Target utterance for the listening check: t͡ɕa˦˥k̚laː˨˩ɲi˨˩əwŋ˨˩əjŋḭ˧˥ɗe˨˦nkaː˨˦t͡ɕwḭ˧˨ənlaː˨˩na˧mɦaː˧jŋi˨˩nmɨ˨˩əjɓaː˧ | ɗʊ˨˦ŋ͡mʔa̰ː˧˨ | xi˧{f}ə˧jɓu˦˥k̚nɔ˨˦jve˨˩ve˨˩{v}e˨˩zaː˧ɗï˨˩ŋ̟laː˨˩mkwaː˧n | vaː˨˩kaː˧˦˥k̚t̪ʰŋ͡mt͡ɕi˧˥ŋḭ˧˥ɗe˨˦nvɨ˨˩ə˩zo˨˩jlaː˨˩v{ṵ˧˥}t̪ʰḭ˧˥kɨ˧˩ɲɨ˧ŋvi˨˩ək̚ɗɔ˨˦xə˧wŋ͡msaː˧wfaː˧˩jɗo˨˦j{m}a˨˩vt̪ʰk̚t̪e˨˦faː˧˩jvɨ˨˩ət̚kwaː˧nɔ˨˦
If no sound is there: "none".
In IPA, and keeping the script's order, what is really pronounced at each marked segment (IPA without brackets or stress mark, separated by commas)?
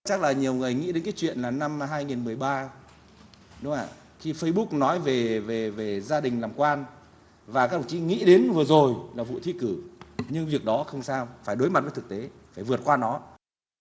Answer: f, v, ṵ˧˨, m